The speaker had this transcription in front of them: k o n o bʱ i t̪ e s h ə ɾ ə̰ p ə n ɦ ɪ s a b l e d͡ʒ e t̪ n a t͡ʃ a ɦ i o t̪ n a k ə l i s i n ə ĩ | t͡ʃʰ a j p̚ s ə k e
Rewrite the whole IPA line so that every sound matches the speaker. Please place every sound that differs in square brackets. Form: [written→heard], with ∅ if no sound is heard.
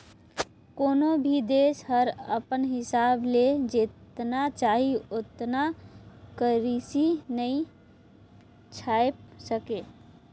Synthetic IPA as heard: k o n o bʱ i [t̪→d̪] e s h ə ɾ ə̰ p ə n ɦ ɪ s a b l e d͡ʒ e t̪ n a t͡ʃ a ɦ i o t̪ n a k ə [l→ɾ] i s i n ə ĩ | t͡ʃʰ a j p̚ s ə k e

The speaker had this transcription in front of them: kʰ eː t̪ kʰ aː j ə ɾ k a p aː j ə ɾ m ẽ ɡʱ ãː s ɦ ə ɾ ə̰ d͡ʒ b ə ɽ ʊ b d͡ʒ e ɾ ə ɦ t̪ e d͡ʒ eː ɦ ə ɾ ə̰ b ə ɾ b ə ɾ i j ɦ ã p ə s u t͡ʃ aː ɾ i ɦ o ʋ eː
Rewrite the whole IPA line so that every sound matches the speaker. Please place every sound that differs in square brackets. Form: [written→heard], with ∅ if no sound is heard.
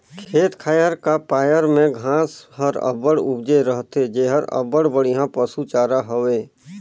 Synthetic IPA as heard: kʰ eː t̪ kʰ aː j ə ɾ k a p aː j ə ɾ m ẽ ɡʱ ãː s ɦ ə ɾ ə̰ [d͡ʒ→∅] b ə ɽ ʊ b d͡ʒ e ɾ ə ɦ t̪ e d͡ʒ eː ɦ ə ɾ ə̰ b ə [ɾ→ɽ] b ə [ɾ→ɽ] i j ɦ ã p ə s u t͡ʃ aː ɾ [i→a] ɦ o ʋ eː

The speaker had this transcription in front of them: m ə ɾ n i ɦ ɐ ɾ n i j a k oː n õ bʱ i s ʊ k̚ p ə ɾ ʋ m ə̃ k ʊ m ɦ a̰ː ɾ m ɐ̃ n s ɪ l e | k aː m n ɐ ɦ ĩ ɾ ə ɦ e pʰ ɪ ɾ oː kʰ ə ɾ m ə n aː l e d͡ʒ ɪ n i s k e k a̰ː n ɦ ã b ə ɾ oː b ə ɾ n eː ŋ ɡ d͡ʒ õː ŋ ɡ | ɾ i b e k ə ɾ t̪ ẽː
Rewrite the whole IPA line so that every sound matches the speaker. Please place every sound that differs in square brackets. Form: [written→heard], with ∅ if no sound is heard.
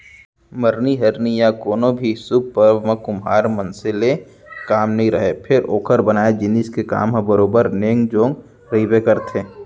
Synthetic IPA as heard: m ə ɾ n i ɦ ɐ ɾ n i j a k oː n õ bʱ i s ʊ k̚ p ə ɾ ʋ m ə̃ k ʊ m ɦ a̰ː ɾ m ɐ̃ n s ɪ l e | k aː m n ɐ ɦ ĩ ɾ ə ɦ e pʰ ɪ ɾ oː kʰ ə ɾ [m→b] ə n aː [l→∅] e d͡ʒ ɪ n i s k e k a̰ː [n→m] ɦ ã b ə ɾ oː b ə ɾ n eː ŋ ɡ d͡ʒ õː ŋ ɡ | ɾ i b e k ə ɾ t̪ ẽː

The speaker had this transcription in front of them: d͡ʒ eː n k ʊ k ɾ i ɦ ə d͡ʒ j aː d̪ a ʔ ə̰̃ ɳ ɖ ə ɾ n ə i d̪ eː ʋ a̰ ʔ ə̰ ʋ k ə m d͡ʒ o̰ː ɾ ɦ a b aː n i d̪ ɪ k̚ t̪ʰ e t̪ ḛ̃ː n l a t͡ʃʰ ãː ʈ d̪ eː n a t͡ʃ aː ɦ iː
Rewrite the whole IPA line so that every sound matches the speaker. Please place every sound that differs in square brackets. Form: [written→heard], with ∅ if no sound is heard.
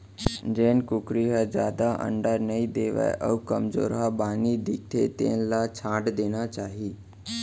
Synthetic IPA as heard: d͡ʒ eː n k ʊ k ɾ i ɦ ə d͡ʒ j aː d̪ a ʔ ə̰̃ ɳ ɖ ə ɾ n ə i d̪ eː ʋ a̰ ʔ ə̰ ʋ k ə m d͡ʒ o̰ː ɾ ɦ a b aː n i d̪ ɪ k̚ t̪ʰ e t̪ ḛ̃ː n l a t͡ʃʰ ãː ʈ d̪ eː n a t͡ʃ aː ɦ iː

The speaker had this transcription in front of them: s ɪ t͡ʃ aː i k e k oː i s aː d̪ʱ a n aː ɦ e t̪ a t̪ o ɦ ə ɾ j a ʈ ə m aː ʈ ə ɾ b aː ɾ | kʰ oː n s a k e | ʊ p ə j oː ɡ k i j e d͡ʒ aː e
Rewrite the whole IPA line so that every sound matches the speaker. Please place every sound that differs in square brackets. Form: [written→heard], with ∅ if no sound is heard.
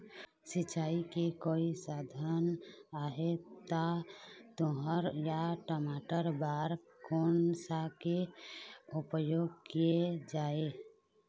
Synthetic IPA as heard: s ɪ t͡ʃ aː i k e k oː i s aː d̪ʱ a n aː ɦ e t̪ a t̪ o ɦ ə ɾ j a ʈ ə m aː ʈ ə ɾ b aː ɾ | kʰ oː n s a k e | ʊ p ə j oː ɡ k i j e d͡ʒ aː e

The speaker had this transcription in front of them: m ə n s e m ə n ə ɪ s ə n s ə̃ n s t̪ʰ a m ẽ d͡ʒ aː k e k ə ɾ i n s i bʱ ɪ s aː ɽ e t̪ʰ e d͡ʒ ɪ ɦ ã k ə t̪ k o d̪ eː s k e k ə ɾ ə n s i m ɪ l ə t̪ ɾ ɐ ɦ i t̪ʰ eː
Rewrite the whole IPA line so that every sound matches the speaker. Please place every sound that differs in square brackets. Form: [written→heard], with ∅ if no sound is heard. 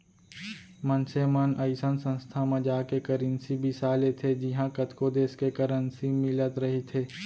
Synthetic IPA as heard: m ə n s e m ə n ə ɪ s ə n s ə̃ n s t̪ʰ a m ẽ d͡ʒ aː k e k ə ɾ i n s i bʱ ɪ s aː [ɽ→l] e t̪ʰ e d͡ʒ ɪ ɦ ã k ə t̪ k o d̪ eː s k e k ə ɾ ə n s i m ɪ l ə t̪ ɾ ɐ ɦ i t̪ʰ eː

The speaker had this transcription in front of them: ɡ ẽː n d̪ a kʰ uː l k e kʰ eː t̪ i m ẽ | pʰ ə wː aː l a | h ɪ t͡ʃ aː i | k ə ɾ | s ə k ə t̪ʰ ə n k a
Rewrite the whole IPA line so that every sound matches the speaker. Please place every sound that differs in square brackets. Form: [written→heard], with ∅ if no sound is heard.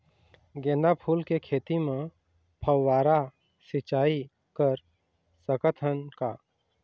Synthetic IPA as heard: ɡ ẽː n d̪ a [kʰ→pʰ] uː l k e kʰ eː t̪ i m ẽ | pʰ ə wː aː [l→ɾ] a | [h→s] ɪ t͡ʃ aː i | k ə ɾ | s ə k ə t̪ʰ ə n k a

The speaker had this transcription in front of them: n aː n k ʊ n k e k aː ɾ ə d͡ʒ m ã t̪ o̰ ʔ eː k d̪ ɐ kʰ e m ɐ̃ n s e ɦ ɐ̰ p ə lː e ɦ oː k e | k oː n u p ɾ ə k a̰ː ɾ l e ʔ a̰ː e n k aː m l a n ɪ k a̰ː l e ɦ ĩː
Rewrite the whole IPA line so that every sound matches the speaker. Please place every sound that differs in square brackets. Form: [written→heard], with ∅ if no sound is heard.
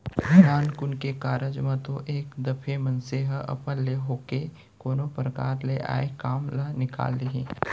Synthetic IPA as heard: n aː n k ʊ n k e k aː ɾ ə d͡ʒ m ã t̪ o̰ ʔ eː k d̪ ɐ [kʰ→pʰ] e m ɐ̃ n s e ɦ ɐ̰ p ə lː e ɦ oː k e | k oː n [u→o] p ɾ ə k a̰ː ɾ l e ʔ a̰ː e [n→∅] k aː m l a n ɪ k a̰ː l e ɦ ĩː

